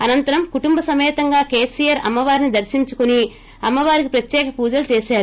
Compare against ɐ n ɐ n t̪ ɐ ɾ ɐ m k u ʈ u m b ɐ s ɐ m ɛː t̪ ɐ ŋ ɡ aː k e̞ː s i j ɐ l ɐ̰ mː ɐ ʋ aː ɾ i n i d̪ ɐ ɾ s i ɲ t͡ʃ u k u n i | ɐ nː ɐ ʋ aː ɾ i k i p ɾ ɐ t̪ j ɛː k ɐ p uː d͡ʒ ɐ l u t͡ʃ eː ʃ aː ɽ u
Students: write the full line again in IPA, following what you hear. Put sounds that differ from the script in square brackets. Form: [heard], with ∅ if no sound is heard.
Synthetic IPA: ɐ n ɐ n t̪ ɐ ɾ ɐ m k u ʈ u m b ɐ s ɐ m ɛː t̪ ɐ ŋ ɡ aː k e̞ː s i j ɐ [ɾ] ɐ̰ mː ɐ ʋ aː ɾ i n i d̪ ɐ ɾ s i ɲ t͡ʃ u k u n i | ɐ [mː] ɐ ʋ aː ɾ i k i p ɾ ɐ t̪ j ɛː k ɐ p uː d͡ʒ ɐ l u t͡ʃ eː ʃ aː [ɾ] u